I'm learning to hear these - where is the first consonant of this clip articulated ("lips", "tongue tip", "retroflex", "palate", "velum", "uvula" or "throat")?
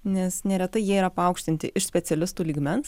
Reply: tongue tip